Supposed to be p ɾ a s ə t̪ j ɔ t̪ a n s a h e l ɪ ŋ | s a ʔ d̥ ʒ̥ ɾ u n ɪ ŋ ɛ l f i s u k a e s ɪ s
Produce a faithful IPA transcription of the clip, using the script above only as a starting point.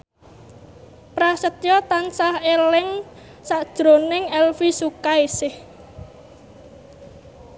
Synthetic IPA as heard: p ɾ a s ə t̪ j ɔ t̪ a n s a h e l ɪ ŋ | s a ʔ d̥ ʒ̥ ɾ o n ɪ ŋ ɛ l f i s u k a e s ɪ h